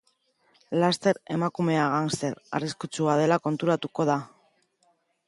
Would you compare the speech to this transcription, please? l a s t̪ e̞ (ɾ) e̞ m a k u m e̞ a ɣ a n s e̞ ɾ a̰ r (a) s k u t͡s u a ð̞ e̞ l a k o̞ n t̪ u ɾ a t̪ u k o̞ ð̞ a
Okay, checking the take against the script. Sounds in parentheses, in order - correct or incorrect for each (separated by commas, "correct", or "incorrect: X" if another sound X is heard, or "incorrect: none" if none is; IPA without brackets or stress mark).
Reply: correct, incorrect: i